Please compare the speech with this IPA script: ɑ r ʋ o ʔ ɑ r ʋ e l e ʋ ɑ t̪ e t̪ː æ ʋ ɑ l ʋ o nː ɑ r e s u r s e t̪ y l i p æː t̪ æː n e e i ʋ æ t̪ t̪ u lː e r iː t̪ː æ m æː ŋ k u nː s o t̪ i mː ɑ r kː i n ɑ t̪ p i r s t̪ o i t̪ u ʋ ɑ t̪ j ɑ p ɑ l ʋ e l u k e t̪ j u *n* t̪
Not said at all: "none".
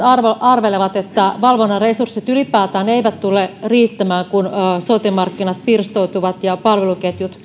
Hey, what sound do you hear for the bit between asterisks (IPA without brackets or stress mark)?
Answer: none